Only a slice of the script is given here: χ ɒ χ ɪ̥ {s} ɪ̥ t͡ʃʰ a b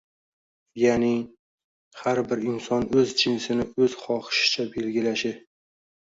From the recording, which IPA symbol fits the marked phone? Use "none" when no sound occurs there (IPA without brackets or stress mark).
ʃ